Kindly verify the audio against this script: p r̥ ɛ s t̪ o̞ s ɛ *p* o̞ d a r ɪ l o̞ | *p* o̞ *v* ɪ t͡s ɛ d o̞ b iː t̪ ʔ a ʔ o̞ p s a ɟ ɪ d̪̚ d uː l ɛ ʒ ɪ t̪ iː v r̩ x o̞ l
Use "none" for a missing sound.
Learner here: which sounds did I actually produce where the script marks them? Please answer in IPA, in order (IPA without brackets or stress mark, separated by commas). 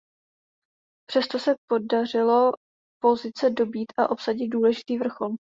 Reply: p, p, z